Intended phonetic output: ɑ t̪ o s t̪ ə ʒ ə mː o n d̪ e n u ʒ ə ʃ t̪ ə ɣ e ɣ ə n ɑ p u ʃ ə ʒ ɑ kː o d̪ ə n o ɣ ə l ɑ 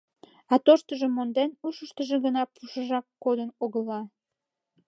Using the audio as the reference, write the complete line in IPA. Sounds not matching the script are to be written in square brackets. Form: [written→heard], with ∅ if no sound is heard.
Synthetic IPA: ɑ t̪ o [s→ʃ] t̪ ə ʒ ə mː o n d̪ e n u [ʒ→ʃ] ə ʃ t̪ ə [ɣ→ʒ] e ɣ ə n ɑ p u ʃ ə ʒ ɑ kː o d̪ ə n o ɣ ə l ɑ